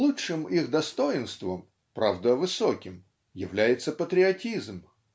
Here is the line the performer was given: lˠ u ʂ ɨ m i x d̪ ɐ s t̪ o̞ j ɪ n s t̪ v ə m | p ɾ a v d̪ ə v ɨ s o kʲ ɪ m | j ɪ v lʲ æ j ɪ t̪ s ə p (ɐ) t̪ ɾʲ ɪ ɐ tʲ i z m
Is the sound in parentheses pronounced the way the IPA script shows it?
no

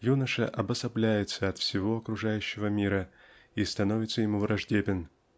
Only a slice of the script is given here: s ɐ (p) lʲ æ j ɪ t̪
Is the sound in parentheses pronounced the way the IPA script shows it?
no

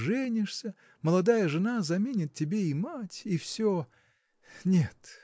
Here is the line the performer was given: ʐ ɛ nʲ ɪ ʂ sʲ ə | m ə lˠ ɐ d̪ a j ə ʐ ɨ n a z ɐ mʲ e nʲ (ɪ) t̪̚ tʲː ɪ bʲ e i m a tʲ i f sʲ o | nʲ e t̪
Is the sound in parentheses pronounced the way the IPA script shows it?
yes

